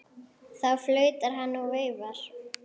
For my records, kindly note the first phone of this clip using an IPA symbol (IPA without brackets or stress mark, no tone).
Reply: θ